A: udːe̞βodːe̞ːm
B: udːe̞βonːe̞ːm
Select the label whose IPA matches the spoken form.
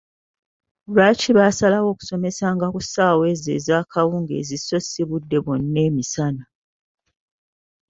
B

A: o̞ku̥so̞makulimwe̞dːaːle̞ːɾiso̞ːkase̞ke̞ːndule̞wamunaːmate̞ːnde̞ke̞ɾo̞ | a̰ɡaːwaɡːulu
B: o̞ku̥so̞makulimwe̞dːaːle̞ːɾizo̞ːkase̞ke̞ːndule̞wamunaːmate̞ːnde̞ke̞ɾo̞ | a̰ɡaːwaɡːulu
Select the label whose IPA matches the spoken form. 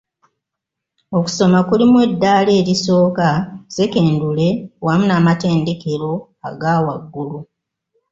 A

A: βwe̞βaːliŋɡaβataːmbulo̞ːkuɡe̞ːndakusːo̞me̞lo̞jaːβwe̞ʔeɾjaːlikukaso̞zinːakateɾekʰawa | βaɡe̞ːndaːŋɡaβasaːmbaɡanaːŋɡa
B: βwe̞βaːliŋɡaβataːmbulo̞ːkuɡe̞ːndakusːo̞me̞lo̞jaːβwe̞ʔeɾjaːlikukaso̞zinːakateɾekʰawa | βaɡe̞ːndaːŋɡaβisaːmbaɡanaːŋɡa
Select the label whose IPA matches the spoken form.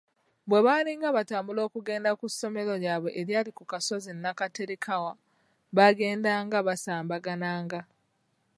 A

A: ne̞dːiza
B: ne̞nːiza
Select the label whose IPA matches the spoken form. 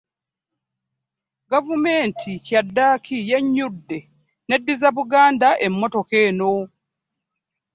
A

